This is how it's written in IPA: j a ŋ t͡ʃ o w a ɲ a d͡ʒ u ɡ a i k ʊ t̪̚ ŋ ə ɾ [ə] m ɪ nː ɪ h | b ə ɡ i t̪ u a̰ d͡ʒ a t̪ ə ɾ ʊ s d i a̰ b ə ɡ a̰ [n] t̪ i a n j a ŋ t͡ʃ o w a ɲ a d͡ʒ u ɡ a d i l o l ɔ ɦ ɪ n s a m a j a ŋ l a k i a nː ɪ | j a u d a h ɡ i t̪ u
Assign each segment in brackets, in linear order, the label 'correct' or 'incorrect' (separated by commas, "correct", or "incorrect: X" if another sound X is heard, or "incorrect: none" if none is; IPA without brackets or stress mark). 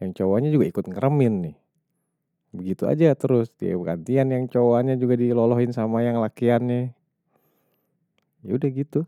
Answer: correct, correct